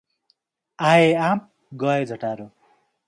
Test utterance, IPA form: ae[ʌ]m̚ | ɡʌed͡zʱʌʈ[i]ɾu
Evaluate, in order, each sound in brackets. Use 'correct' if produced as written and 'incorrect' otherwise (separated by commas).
incorrect, incorrect